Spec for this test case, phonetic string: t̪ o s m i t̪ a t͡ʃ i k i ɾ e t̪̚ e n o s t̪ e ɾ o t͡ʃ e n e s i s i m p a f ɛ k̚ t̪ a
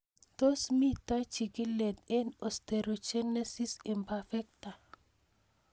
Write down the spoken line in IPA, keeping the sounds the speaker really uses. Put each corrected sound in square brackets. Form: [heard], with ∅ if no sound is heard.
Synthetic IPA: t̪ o s m i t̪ a t͡ʃ i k i [l] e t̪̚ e n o s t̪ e ɾ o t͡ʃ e n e s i s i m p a f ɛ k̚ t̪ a